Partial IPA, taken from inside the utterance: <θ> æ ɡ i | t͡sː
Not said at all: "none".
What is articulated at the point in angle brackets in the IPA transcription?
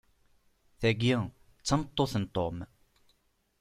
θ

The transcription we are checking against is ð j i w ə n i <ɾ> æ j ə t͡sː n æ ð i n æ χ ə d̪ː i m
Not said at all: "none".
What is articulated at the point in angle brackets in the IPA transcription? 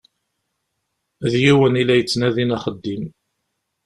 l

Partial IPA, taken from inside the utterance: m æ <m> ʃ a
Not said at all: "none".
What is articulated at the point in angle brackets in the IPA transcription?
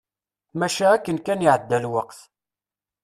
none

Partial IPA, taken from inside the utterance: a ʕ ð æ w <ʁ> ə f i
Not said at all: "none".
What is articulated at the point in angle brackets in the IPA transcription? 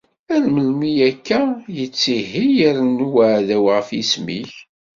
ʁ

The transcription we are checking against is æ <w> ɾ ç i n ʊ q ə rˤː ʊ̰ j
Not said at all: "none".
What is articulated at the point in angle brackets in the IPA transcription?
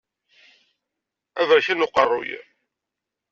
v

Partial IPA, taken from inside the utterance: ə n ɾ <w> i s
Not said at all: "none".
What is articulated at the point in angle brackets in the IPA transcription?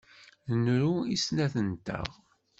u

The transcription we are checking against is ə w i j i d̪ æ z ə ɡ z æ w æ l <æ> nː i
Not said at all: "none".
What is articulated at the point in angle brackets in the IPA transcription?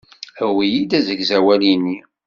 i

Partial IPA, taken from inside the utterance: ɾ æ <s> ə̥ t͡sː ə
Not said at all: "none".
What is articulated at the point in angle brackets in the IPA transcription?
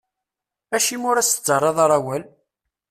s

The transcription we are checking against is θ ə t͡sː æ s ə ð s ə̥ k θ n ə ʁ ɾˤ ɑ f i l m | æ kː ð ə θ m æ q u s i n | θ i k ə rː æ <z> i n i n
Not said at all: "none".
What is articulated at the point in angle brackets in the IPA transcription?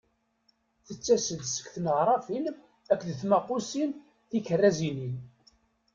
z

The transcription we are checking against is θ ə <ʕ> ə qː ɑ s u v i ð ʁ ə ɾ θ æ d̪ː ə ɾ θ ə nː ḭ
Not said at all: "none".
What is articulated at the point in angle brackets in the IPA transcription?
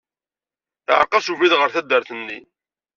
ʕ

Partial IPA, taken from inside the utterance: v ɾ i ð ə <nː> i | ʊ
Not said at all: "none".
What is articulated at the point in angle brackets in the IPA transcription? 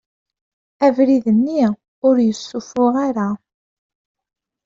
nː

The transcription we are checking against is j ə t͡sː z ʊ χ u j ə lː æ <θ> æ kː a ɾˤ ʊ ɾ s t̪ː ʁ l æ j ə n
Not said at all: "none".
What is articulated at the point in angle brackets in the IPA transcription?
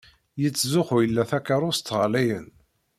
θ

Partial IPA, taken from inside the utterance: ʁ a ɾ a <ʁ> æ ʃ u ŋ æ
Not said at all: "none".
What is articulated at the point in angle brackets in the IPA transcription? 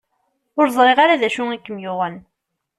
ð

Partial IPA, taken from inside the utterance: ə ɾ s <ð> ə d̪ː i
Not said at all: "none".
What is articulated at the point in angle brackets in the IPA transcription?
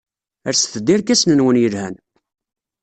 θ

